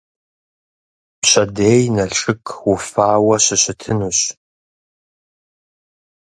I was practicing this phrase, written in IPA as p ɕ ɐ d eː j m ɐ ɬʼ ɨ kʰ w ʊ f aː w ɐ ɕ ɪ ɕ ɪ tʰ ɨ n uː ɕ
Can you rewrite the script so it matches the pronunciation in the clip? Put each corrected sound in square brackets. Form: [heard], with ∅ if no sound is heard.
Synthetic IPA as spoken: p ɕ ɐ d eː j [n] ɐ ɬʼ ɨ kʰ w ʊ f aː w ɐ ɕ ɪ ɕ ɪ tʰ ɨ n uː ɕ